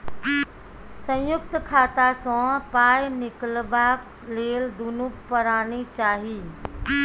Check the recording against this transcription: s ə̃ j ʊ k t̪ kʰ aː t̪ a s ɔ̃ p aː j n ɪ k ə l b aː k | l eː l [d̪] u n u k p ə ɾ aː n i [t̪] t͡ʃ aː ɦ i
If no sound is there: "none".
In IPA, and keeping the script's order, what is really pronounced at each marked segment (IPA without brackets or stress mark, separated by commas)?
d̪, none